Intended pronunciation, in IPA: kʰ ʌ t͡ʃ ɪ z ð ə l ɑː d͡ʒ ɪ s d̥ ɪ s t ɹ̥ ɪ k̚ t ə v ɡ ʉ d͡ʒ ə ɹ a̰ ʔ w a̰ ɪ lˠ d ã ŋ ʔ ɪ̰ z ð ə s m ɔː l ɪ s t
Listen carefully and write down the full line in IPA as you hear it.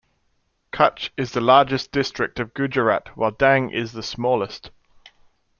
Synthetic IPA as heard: kʰ ʌ t͡ʃ ɪ z ð ə l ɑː d͡ʒ ɪ s d̥ ɪ s t ɹ̥ ɪ k̚ t ə v ɡ ʉ d͡ʒ ə ɹ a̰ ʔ w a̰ ɪ lˠ d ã ŋ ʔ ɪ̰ z ð ə s m ɔː l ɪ s t